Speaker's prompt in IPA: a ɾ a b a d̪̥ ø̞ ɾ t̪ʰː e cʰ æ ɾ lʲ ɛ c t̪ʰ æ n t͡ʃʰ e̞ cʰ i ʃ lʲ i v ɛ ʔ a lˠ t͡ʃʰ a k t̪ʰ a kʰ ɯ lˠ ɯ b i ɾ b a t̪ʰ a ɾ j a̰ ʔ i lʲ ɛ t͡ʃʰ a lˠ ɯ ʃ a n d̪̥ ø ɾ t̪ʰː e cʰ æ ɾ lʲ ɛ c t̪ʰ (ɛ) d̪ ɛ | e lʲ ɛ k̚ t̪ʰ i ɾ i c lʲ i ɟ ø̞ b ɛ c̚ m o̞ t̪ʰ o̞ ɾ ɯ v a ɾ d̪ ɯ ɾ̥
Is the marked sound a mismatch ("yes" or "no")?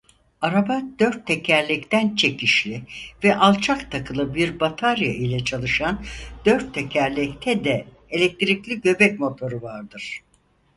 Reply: no